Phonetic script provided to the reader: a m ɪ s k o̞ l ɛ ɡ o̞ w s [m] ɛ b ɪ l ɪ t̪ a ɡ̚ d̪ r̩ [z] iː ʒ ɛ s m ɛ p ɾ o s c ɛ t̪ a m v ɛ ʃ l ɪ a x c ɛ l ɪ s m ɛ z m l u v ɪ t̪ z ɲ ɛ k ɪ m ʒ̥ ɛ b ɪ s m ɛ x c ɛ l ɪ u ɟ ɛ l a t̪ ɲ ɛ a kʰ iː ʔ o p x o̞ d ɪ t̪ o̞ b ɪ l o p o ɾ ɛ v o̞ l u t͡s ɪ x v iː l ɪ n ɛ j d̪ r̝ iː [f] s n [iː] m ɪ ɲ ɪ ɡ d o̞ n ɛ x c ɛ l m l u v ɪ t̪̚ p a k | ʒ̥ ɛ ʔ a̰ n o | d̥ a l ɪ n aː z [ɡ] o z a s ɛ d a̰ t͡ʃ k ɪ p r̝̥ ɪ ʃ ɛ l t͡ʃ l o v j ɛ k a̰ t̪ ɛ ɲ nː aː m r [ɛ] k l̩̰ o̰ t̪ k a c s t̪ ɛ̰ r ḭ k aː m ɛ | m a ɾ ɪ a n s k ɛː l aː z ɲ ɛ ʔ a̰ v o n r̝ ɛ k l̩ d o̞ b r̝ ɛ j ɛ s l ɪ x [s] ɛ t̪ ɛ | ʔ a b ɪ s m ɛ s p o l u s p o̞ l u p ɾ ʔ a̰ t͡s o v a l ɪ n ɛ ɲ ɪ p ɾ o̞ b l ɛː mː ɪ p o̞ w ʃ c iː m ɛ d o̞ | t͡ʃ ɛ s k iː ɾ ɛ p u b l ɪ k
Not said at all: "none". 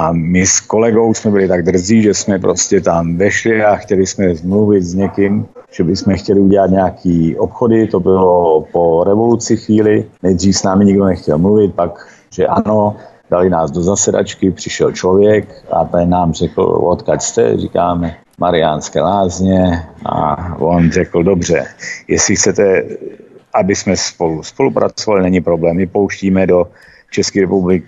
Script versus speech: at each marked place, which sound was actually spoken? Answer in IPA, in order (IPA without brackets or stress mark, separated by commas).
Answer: m, z, f, aː, d, ɛ, t͡s